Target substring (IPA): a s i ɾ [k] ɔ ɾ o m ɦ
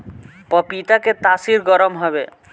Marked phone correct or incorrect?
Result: incorrect